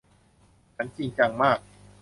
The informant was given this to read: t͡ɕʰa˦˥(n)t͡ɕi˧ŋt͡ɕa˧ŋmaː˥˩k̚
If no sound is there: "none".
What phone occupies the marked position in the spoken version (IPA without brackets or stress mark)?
n